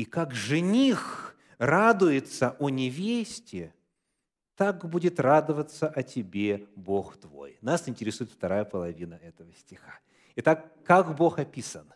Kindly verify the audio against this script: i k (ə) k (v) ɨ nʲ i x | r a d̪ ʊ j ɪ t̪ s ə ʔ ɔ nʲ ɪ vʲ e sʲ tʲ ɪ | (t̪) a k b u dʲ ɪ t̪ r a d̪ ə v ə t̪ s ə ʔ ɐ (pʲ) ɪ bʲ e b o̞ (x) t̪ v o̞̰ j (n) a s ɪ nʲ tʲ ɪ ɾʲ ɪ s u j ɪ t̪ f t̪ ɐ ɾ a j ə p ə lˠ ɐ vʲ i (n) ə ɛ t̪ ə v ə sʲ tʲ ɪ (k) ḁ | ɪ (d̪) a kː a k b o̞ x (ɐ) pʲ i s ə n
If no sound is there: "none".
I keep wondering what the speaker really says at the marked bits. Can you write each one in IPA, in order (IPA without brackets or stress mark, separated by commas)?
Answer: a, ʐ, t̪, tʲ, x, n, n, x, t̪, ɐ